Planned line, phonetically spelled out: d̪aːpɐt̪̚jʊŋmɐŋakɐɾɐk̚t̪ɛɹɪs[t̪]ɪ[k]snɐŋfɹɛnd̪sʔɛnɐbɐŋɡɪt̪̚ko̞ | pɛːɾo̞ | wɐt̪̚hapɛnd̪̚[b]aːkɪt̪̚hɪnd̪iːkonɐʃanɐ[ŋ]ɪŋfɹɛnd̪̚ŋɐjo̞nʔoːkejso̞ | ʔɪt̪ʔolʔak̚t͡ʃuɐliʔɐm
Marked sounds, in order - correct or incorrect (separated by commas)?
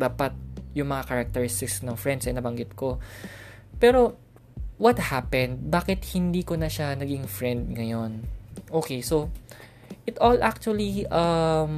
correct, correct, correct, incorrect